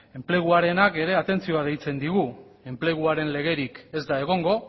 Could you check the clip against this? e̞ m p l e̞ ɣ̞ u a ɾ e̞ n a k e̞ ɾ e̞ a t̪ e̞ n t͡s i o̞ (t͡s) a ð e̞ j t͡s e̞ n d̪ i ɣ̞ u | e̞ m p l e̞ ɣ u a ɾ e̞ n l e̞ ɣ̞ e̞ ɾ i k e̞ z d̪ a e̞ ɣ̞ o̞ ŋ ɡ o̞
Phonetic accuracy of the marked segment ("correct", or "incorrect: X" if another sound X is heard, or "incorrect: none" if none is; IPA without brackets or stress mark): incorrect: none